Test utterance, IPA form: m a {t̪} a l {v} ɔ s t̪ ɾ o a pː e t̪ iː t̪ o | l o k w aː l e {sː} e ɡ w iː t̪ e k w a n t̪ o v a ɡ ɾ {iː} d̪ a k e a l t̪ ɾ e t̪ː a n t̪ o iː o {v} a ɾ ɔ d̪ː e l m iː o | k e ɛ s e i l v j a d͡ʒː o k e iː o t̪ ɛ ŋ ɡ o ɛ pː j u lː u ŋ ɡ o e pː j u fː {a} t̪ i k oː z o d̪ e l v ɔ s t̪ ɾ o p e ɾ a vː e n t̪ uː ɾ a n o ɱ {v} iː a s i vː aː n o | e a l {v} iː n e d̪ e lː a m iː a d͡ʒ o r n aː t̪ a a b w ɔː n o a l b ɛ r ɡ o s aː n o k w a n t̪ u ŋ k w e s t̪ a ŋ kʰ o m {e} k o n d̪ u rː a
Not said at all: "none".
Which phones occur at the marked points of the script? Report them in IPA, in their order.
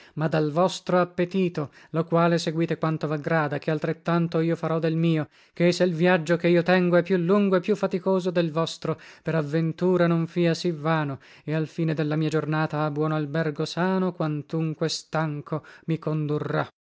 d̪, v, s, aː, f, a, f, f, i

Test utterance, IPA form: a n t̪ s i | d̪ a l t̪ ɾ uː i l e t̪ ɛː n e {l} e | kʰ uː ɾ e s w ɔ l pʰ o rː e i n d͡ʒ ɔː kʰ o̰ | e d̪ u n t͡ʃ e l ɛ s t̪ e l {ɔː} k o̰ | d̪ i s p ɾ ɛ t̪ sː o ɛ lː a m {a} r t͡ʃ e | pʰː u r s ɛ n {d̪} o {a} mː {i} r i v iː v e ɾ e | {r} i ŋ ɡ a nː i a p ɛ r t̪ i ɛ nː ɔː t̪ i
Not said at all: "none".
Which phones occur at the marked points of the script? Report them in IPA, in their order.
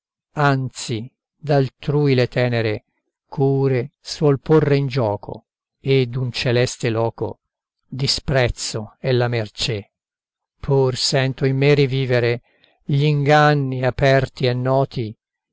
ɾ, ɔː, e, t̪, i, e, ʎ

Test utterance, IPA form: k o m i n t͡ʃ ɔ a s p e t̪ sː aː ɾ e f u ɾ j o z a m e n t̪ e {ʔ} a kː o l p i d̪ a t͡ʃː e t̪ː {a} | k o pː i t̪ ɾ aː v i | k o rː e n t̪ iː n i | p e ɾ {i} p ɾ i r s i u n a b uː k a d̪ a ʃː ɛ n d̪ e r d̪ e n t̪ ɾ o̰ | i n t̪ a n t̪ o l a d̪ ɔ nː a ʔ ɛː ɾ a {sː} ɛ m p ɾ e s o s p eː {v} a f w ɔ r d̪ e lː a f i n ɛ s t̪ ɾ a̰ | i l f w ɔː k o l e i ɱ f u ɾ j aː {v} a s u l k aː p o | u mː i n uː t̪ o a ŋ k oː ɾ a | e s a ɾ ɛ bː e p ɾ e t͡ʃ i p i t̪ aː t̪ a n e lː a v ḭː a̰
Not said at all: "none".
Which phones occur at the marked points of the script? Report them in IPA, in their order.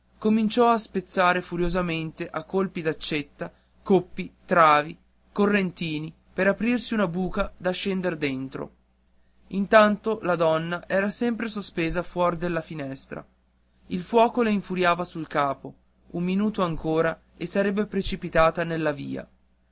ʔ, a, a, s, z, v

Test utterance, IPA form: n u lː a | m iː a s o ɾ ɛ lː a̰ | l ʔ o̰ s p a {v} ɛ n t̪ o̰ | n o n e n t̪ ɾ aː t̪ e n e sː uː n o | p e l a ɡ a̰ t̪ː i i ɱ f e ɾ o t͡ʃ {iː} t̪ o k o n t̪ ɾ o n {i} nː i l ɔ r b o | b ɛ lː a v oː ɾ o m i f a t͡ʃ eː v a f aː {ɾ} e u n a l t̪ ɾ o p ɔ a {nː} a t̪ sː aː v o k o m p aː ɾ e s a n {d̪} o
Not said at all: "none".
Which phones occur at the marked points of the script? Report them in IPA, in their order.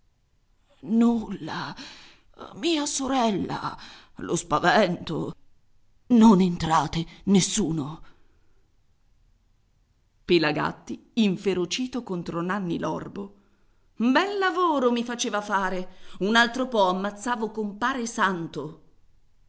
v, iː, a, ɾ, mː, t̪

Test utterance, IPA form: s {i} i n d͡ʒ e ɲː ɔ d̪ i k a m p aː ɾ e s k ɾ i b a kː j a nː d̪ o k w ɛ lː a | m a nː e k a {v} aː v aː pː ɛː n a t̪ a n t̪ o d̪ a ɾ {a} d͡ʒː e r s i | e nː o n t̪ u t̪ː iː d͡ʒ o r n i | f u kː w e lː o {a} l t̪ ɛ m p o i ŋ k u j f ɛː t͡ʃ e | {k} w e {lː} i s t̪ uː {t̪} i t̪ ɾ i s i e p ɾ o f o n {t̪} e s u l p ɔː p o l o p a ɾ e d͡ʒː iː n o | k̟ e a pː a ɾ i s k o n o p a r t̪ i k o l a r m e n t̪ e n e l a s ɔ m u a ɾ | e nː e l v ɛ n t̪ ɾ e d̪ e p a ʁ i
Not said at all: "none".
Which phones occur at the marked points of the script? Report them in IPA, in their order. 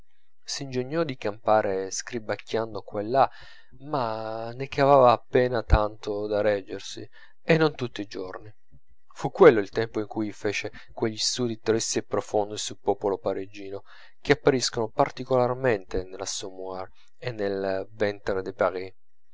i, v, ɛ, i, k, ʎː, d̪, d̪

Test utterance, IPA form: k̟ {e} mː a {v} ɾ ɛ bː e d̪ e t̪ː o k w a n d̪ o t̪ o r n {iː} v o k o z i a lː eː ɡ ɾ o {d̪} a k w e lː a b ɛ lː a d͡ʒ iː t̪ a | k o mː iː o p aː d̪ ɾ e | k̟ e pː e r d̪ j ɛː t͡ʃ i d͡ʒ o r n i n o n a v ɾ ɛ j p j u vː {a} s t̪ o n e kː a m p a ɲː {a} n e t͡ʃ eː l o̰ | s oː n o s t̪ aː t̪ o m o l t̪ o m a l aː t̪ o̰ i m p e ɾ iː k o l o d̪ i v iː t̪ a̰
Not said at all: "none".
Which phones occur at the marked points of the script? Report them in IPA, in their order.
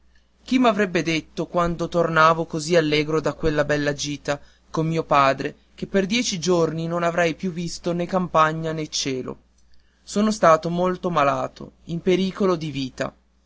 i, v, aː, d̪, i, a

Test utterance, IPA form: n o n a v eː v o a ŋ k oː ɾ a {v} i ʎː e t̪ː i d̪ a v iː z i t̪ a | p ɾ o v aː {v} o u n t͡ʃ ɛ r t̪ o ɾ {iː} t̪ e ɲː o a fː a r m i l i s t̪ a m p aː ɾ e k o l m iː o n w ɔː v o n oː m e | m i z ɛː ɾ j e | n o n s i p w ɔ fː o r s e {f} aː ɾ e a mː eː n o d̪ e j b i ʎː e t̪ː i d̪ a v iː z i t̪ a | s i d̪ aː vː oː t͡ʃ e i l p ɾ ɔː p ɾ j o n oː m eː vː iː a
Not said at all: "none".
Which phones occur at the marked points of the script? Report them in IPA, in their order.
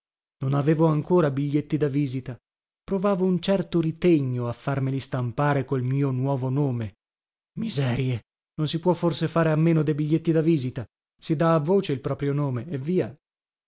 b, v, i, f

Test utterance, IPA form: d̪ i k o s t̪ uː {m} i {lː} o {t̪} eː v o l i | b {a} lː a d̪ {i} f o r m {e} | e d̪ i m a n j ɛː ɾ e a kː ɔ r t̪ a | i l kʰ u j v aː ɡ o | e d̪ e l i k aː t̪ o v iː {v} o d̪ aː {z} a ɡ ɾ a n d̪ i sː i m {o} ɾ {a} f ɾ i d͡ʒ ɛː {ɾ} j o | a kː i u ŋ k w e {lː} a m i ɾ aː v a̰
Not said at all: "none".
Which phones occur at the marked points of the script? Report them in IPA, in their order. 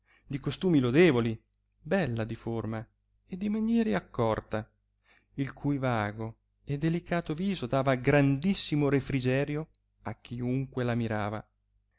m, l, d̪, ɛ, i, a, z, v, o, e, ɾ, l

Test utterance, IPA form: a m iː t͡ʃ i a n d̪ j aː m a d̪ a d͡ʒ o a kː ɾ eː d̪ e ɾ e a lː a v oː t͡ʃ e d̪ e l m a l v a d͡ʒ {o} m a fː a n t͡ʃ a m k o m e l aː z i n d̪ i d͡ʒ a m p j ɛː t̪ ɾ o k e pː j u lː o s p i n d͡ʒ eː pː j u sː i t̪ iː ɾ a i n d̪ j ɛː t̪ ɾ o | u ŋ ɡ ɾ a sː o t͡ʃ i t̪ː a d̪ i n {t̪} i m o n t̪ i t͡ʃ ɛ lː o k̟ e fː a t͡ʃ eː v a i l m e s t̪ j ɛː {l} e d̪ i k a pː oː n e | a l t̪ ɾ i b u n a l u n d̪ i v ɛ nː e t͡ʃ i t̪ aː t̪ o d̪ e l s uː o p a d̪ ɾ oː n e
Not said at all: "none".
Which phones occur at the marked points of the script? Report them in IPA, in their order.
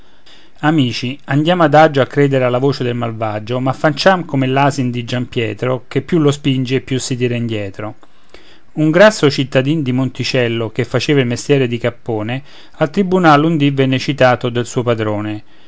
o, d̪, ɾ

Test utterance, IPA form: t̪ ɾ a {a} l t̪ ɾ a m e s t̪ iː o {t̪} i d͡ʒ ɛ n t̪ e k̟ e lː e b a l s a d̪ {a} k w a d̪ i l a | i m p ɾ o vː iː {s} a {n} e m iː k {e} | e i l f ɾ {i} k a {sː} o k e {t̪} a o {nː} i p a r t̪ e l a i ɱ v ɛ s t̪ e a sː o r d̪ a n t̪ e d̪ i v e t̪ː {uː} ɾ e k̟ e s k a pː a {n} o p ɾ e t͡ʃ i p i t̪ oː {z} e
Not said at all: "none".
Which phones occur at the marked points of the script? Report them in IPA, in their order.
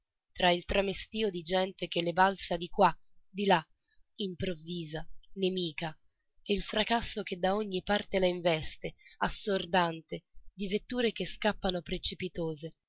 i, d̪, i, z, n, a, a, sː, d̪, ɲː, uː, n, z

